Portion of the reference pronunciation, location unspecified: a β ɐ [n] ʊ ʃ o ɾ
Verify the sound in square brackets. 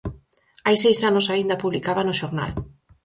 correct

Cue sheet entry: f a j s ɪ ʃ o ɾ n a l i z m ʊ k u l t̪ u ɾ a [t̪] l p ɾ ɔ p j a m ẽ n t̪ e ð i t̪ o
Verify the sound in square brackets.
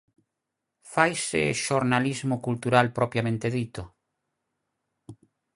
incorrect: none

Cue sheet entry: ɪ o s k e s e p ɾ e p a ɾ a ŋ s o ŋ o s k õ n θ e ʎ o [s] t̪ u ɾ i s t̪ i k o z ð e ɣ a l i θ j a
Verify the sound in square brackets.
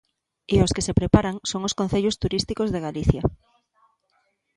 correct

